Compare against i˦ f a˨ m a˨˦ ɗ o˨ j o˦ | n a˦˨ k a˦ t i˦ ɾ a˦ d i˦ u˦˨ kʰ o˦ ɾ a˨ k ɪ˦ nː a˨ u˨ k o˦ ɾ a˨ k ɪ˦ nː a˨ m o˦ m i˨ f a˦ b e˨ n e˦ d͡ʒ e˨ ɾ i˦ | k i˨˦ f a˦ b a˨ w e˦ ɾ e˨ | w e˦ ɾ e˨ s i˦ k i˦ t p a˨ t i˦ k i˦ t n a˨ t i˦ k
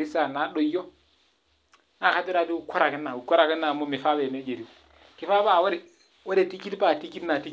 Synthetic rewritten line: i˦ s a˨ n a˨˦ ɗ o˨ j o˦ | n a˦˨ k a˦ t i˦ ɾ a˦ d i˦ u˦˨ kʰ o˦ ɾ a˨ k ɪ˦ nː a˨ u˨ k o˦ ɾ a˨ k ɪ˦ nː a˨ m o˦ m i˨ f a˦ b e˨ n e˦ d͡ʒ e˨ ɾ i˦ | k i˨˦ f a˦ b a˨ w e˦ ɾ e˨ | w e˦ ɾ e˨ t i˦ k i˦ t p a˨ t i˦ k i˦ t n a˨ t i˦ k